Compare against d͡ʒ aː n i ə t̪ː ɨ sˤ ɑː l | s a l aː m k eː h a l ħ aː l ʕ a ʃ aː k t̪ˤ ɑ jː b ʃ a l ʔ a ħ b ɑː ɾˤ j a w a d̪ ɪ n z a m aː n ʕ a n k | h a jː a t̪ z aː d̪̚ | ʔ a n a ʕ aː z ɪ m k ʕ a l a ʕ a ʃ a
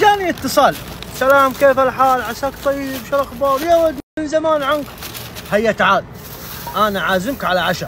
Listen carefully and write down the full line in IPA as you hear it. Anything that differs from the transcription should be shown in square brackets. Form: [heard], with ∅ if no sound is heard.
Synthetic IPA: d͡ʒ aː n i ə t̪ː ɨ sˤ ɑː l | s a l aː m k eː [f] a l ħ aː l ʕ a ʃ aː k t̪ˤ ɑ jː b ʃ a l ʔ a [x] b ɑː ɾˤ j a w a d̪ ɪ n z a m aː n ʕ a n k | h a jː a t̪ [ʕ] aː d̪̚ | ʔ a n a ʕ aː z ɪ m k ʕ a l a ʕ a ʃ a